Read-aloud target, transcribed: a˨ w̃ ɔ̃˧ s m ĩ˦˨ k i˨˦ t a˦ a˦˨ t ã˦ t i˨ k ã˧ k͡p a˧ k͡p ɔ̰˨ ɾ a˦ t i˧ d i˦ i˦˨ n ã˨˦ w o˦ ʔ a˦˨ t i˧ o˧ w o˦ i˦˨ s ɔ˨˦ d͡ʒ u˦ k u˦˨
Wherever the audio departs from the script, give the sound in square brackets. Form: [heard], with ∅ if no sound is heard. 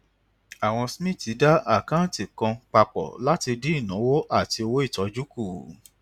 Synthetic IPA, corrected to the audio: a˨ w̃ ɔ̃˧ s m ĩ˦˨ [t] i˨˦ [d] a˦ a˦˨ [k] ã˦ t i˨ k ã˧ k͡p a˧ k͡p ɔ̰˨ [l] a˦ t i˧ d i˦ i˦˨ n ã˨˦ w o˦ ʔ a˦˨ t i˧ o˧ w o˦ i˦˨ [t] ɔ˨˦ d͡ʒ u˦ k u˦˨